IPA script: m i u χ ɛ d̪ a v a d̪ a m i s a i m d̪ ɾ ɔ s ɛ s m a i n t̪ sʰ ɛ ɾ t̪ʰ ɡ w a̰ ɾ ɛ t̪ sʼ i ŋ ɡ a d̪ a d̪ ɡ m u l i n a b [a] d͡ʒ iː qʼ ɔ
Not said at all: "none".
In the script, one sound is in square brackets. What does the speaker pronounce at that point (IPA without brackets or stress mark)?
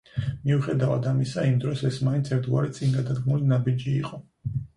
i